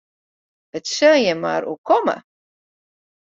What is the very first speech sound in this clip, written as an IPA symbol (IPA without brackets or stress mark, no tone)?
ə